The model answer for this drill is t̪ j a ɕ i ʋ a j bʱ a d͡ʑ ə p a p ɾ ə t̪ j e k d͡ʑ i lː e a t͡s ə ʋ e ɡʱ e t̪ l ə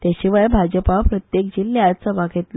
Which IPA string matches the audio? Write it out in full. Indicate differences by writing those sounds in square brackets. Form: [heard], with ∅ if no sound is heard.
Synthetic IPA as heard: t̪ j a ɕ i ʋ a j bʱ a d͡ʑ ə p a p ɾ ə t̪ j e k d͡ʑ i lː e a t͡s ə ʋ [a] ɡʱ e t̪ l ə